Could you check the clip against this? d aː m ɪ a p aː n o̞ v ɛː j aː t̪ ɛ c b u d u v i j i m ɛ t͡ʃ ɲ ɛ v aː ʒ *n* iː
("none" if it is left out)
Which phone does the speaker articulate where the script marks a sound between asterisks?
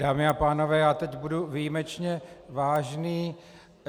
n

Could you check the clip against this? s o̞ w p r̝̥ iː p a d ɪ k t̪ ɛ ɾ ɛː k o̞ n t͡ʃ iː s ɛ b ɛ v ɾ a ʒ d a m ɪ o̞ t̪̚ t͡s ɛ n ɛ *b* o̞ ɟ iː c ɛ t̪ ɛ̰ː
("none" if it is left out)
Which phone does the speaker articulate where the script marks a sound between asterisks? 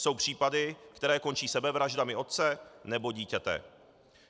b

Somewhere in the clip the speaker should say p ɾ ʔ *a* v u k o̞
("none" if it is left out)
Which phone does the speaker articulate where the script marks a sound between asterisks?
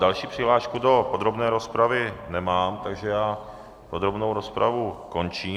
a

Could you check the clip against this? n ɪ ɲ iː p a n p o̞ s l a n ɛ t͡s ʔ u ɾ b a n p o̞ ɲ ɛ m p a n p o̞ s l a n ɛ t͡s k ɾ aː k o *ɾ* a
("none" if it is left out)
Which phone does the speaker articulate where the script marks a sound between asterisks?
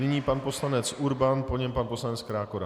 ɾ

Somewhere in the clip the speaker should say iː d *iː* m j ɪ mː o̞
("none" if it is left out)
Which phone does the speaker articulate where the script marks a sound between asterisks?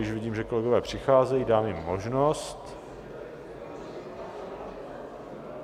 aː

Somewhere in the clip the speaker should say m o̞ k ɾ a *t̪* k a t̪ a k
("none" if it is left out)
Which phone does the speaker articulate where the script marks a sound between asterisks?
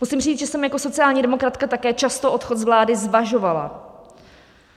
t̪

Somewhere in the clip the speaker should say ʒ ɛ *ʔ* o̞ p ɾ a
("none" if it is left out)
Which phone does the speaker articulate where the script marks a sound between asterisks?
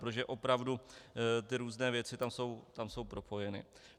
ʔ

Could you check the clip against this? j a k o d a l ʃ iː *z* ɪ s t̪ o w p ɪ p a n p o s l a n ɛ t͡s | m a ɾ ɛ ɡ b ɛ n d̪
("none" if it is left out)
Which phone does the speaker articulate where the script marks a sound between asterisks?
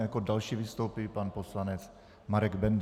v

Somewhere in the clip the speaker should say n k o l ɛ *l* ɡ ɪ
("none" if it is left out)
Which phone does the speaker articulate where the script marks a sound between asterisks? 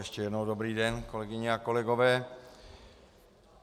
none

